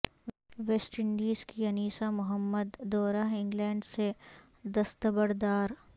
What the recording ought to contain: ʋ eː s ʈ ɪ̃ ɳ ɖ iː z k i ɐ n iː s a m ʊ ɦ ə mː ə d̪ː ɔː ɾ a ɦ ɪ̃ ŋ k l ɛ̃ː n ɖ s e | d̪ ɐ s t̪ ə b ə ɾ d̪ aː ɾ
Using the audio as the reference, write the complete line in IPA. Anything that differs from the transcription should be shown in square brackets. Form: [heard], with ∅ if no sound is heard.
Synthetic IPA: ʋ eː s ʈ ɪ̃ ɳ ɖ iː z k i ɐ n iː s a m ʊ ɦ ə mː ə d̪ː ɔː ɾ a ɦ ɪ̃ ŋ [ɡ] l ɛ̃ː [ɳ] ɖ s e | d̪ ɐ s t̪ ə b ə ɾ d̪ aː ɾ